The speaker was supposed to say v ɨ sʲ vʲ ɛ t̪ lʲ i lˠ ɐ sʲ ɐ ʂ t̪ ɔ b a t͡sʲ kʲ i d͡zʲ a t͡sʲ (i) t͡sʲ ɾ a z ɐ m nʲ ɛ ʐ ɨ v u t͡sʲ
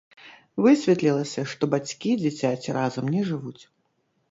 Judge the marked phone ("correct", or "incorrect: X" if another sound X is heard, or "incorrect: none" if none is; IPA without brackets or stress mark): incorrect: a